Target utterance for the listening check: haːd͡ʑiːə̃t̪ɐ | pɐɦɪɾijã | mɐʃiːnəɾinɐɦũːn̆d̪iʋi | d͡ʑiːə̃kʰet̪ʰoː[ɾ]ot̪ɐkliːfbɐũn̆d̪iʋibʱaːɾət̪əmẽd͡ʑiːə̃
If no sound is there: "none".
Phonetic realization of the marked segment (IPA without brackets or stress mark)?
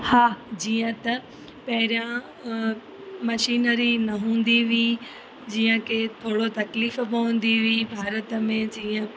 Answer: ɽ